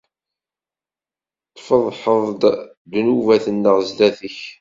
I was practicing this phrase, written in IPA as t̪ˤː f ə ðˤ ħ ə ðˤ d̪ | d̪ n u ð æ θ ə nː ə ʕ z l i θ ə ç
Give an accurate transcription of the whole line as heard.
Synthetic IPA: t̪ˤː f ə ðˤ ħ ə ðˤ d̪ | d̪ n u v æ θ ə nː ə ʁ z l æ θ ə ç